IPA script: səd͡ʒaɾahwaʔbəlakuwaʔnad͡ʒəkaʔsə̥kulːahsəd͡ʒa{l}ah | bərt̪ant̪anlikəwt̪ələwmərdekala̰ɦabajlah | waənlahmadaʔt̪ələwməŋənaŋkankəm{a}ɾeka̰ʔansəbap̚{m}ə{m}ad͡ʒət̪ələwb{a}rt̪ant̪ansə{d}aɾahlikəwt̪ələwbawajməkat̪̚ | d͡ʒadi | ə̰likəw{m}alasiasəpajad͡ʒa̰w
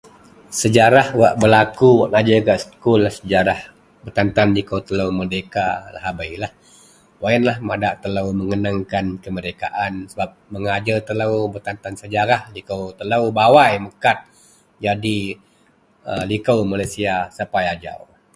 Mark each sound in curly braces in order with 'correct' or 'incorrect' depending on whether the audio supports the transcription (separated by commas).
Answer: incorrect, incorrect, correct, incorrect, incorrect, incorrect, correct